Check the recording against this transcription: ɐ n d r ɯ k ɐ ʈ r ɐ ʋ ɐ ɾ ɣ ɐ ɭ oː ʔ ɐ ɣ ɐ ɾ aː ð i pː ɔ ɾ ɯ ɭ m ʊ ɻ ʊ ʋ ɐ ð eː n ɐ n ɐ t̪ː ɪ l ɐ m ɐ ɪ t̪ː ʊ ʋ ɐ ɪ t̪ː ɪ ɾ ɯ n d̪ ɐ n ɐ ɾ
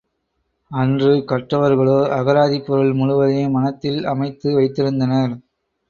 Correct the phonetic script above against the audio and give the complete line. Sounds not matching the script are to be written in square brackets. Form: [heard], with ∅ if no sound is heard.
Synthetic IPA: ɐ n d r ɯ k ɐ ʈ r ɐ ʋ ɐ ɾ ɣ ɐ ɭ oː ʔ ɐ ɣ ɐ ɾ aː ð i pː ɔ ɾ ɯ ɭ m ʊ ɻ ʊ ʋ ɐ ð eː [m] ɐ n ɐ t̪ː ɪ l ɐ m ɐ ɪ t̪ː [ɯ] ʋ ɐ ɪ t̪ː ɪ ɾ ɯ n d̪ ɐ n ɐ ɾ